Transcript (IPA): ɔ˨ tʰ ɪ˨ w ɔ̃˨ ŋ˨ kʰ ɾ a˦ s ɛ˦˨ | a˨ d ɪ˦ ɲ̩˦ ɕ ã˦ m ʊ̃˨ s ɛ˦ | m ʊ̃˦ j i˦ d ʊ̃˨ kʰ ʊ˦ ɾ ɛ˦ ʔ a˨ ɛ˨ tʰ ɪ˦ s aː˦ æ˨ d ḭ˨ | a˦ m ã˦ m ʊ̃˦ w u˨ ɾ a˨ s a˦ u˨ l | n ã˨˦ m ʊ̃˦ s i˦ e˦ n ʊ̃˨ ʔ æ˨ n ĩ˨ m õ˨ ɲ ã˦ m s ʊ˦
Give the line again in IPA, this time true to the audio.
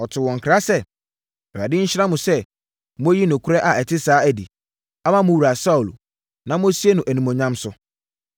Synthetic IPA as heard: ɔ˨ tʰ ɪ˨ w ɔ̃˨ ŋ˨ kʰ ɾ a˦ s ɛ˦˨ | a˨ d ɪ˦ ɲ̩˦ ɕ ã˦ m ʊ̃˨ s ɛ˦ | m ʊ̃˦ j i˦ n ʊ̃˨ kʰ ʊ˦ ɾ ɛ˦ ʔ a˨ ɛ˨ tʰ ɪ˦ s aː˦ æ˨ d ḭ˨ | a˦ m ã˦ m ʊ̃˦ w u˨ ɾ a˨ s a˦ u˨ l | n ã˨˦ m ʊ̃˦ s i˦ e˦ n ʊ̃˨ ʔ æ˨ n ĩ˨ m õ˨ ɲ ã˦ m s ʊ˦